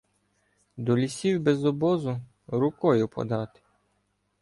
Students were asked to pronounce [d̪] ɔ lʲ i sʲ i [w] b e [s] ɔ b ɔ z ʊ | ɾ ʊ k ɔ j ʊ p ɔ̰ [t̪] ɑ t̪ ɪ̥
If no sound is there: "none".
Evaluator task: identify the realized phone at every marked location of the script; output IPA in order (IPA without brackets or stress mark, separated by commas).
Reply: d̪, w, z, d̪